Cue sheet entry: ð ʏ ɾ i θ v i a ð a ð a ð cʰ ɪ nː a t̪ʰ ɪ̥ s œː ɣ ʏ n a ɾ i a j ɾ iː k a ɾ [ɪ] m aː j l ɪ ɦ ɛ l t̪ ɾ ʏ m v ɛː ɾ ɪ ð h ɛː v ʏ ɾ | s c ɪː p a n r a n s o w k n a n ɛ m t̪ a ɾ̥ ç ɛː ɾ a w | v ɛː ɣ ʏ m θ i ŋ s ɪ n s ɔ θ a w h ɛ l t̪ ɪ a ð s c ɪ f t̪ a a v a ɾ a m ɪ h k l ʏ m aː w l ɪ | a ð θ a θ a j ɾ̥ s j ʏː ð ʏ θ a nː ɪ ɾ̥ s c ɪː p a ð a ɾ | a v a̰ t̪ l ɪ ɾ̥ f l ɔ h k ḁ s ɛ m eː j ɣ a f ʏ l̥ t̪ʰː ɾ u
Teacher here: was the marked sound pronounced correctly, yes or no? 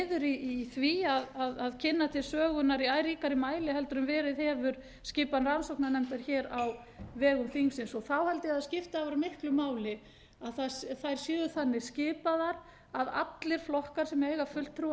yes